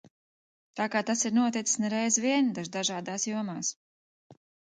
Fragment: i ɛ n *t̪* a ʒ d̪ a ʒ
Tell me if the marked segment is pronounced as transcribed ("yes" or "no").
no